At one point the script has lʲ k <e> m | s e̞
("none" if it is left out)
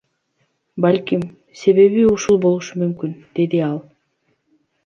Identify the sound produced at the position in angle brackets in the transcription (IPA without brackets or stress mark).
i